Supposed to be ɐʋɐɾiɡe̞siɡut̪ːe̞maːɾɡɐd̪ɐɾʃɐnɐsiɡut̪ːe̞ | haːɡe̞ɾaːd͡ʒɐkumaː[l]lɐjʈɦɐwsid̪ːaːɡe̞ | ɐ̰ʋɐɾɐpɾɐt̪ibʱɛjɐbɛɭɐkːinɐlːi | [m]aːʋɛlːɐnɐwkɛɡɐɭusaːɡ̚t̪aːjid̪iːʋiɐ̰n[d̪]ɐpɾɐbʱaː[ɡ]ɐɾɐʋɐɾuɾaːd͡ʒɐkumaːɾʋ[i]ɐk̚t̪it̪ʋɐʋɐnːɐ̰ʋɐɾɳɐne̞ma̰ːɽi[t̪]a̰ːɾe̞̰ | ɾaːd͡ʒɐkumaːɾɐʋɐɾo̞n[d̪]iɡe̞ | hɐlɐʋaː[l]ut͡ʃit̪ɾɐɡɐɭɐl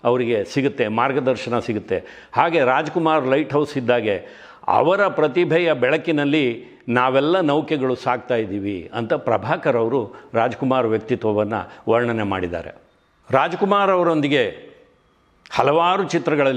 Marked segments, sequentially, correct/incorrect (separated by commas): incorrect, incorrect, incorrect, incorrect, incorrect, incorrect, correct, incorrect